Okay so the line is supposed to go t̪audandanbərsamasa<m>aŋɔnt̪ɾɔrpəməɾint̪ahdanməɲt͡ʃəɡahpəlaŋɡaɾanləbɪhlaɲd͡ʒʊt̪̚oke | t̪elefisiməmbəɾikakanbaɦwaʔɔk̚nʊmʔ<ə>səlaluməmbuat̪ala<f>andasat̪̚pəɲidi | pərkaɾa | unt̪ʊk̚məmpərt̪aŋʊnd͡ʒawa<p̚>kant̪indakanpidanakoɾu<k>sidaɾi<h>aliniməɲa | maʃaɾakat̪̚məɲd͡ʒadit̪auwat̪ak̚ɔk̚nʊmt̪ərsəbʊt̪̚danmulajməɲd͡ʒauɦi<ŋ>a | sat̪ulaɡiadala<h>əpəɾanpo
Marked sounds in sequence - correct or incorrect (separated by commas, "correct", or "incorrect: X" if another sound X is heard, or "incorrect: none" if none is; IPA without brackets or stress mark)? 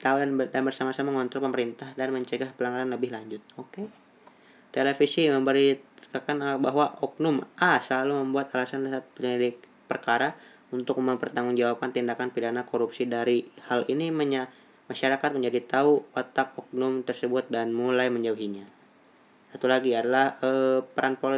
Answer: correct, incorrect: a, incorrect: s, correct, incorrect: p, correct, incorrect: ɲ, correct